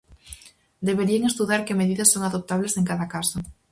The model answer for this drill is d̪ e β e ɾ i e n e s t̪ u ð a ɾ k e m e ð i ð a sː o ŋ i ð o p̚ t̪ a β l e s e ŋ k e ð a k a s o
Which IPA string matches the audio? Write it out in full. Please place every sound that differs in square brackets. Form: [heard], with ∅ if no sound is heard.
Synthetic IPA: d̪ e β e ɾ i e [ŋ] e s t̪ u ð a ɾ k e m e ð i ð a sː o ŋ [a] ð o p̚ t̪ a β l e s e ŋ k [a] ð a k a s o